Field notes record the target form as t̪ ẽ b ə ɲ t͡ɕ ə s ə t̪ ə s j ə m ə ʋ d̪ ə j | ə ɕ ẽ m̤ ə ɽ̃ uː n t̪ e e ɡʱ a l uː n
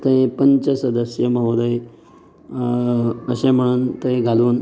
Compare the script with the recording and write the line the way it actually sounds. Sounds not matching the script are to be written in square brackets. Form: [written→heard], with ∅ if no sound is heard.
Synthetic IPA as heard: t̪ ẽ [b→p] ə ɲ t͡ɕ ə s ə [t̪→d̪] ə s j ə m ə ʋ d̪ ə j | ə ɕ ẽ m̤ ə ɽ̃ uː n t̪ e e ɡʱ a l uː n